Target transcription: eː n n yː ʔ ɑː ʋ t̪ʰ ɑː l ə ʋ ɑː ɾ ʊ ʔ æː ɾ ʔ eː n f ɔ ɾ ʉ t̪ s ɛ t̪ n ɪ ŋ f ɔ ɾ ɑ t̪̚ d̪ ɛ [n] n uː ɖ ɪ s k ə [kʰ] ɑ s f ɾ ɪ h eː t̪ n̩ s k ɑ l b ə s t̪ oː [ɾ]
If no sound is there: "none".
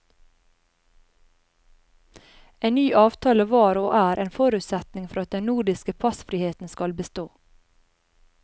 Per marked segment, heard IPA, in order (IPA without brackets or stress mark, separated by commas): n, pʰ, none